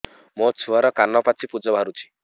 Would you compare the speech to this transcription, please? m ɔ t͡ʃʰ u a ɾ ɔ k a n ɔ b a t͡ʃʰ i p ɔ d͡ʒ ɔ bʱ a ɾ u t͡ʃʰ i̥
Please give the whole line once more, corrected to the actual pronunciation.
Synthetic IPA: m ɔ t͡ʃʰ u a ɾ ɔ k a n ɔ p a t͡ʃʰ i p u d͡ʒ ɔ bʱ a ɾ u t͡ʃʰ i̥